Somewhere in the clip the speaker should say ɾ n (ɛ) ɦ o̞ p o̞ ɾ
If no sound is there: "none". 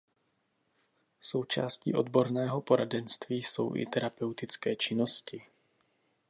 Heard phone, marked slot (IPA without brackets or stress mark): ɛː